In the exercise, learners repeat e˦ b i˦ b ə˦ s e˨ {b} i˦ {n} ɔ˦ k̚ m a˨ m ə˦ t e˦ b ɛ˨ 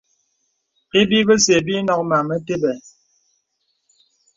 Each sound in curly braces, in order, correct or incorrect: correct, correct

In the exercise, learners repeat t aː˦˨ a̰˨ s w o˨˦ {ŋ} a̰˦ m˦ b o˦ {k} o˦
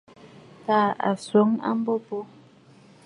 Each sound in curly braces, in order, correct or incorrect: correct, incorrect: p

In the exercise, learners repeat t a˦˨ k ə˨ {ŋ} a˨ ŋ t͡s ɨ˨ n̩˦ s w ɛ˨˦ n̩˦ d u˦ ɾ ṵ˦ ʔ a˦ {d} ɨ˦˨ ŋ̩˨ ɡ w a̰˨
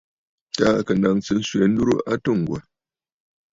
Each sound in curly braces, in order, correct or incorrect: incorrect: n, incorrect: t

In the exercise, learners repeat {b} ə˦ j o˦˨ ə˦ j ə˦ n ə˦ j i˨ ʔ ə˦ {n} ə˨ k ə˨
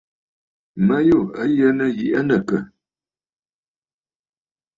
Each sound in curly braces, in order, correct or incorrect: incorrect: m, correct

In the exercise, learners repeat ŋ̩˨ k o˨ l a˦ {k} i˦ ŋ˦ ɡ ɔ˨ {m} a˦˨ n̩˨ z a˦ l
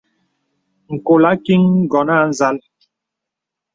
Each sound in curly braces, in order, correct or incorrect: correct, incorrect: n

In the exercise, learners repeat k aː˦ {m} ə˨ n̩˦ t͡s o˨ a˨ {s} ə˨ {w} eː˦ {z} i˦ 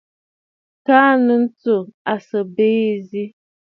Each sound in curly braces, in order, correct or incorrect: incorrect: n, correct, incorrect: b, correct

